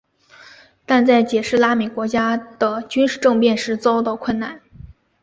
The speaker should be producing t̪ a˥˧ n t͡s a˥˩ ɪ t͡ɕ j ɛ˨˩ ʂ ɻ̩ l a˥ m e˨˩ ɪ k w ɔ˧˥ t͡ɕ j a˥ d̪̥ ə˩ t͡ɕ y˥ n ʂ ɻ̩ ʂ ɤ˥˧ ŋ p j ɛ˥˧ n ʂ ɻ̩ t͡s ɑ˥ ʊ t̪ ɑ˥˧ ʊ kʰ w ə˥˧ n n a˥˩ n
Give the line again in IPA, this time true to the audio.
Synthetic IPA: t̪ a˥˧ n t͡s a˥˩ ɪ t͡ɕ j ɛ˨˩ ʂ ɻ̩ l a˥ m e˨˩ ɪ k w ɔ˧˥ t͡ɕ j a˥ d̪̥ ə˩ t͡ɕ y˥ n ʂ ɻ̩ ʈ͡ʂ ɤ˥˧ ŋ p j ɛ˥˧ n ʂ ɻ̩ t͡s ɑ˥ ʊ t̪ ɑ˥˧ ʊ kʰ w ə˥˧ n n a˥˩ n